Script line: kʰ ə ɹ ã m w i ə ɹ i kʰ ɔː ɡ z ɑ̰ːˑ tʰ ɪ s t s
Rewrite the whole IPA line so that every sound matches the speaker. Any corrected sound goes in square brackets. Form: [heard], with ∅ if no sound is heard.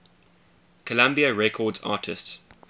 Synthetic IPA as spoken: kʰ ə [l] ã m [b] i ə ɹ [ɛ] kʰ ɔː [d] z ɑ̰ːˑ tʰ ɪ s t s